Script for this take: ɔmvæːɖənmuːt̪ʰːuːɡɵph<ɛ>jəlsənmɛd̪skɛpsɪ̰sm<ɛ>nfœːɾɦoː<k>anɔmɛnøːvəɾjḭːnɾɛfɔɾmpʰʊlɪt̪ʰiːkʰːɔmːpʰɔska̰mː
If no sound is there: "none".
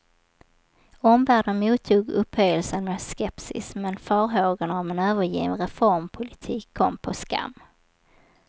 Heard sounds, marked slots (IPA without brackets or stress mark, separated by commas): œ, ɛ, ɡ